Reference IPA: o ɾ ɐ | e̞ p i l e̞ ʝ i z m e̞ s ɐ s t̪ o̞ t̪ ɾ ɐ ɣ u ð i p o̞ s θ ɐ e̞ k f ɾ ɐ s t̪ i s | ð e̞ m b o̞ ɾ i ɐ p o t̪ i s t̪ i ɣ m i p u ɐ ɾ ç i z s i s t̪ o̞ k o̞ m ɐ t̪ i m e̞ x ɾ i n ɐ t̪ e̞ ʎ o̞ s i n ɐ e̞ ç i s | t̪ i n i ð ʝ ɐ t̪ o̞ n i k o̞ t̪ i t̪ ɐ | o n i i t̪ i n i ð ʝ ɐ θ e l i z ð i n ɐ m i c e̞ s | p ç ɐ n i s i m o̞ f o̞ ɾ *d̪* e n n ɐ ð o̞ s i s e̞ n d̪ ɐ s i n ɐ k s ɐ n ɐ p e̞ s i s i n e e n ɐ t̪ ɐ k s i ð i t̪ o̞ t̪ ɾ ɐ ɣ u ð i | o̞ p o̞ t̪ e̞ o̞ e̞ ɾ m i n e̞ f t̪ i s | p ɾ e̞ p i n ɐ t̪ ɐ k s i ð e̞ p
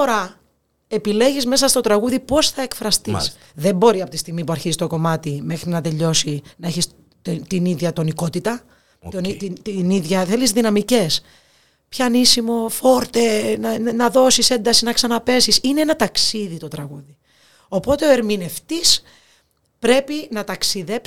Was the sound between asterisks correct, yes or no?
no